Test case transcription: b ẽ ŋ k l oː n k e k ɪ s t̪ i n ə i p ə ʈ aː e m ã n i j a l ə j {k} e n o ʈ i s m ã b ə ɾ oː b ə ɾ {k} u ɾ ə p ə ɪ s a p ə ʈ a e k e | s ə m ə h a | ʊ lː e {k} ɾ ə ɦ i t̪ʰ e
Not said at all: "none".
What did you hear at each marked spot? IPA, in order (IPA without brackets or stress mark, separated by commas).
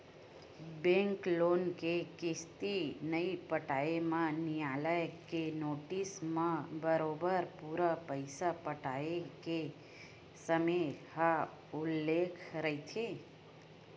k, p, kʰ